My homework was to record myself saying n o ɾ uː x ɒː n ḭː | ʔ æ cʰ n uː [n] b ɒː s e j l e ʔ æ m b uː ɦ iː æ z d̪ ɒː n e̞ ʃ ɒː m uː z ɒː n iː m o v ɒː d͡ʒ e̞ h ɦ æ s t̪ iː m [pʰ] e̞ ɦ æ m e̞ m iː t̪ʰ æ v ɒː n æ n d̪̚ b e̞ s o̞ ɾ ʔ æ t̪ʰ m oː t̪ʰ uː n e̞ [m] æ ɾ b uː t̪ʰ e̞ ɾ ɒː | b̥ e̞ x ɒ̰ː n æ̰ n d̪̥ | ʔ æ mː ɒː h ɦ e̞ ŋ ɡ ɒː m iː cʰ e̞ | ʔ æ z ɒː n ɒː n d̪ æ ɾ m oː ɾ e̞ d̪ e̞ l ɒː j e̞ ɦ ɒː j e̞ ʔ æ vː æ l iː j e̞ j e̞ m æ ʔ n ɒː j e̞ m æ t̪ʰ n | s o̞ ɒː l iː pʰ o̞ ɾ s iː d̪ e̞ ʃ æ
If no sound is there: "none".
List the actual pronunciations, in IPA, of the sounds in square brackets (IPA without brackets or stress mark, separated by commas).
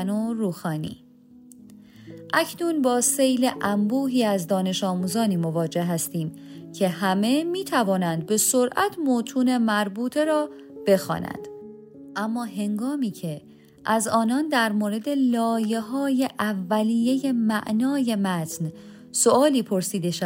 n, cʰ, m